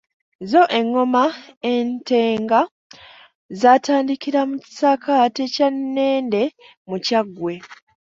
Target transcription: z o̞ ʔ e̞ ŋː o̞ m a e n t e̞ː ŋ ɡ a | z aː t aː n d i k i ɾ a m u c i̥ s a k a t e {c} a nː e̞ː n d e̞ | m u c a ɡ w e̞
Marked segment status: correct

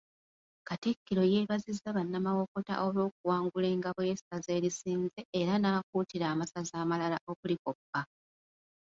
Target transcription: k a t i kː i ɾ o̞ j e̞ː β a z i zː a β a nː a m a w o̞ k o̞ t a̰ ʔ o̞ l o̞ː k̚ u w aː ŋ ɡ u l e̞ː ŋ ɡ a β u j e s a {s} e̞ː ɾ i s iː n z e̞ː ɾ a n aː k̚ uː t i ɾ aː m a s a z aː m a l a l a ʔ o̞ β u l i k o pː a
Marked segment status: incorrect: z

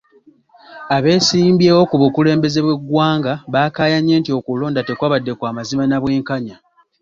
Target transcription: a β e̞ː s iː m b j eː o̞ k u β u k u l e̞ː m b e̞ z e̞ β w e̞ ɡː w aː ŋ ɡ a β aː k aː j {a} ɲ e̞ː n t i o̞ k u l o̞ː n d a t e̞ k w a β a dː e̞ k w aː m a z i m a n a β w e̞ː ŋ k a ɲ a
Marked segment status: correct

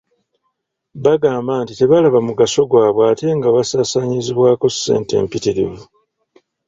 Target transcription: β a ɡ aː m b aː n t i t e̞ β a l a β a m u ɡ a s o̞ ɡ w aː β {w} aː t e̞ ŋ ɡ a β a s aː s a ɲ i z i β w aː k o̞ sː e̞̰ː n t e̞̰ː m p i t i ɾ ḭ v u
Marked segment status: correct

